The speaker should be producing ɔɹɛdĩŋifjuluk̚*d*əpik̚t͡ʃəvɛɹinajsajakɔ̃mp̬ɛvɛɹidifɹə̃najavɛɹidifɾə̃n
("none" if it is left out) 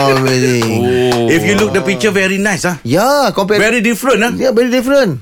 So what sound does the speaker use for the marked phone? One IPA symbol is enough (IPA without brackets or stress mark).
d